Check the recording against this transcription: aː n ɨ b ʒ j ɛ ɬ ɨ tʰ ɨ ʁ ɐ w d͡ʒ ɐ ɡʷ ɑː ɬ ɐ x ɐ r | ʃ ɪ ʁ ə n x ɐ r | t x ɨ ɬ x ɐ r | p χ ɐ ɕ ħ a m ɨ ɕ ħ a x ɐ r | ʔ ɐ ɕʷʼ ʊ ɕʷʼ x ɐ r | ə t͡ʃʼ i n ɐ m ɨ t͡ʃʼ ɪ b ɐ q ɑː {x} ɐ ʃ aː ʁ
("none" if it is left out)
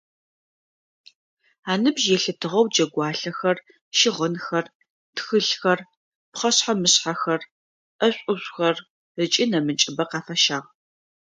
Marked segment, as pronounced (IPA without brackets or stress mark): f